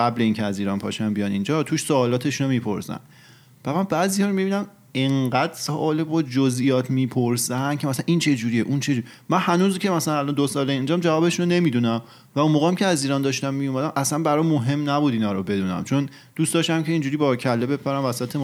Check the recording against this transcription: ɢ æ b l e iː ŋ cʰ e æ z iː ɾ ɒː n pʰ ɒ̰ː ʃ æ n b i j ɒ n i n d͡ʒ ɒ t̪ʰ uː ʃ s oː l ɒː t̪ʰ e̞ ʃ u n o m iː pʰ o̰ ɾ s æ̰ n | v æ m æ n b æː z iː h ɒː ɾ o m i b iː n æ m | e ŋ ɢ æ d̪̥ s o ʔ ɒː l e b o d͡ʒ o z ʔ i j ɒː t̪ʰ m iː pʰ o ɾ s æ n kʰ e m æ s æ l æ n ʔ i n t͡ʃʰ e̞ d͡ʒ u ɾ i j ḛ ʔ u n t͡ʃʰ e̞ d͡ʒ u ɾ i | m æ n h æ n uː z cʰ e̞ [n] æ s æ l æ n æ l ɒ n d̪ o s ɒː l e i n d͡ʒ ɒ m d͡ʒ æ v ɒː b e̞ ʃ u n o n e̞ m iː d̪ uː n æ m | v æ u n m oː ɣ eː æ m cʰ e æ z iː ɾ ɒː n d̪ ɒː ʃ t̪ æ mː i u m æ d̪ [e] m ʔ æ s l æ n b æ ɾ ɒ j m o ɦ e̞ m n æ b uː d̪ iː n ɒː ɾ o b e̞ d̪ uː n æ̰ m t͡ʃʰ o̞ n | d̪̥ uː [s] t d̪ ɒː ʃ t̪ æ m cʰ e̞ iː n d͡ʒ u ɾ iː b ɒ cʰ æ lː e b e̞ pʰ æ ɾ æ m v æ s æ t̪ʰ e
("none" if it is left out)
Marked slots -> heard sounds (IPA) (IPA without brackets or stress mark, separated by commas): m, æ, s